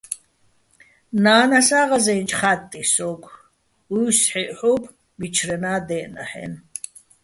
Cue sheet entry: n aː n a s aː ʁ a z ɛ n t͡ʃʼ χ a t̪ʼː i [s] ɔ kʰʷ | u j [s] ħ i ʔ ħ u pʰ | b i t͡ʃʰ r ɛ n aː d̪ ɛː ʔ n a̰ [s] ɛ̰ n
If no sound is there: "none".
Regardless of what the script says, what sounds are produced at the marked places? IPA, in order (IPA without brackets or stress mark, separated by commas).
s, s, ħ